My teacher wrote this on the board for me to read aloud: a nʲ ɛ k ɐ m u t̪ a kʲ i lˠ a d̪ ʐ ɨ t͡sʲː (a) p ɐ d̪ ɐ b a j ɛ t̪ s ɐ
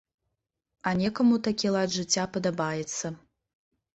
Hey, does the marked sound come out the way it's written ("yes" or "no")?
yes